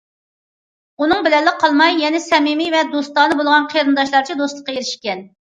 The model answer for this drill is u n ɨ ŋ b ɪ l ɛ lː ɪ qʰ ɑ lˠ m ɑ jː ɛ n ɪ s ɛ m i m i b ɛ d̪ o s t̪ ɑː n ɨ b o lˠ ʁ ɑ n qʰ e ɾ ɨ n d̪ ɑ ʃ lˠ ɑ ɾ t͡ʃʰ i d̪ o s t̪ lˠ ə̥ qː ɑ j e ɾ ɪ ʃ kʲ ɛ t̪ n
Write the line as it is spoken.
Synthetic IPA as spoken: u n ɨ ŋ b ɪ l ɛ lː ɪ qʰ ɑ lˠ m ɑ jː ɛ n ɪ s ɛ m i m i v ɛ d̪ o s t̪ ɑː n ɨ b o lˠ ʁ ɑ n qʰ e ɾ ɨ n d̪ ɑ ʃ lˠ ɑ ɾ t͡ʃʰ i d̪ o s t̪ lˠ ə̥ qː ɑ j e ɾ ɪ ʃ kʲ ɛ n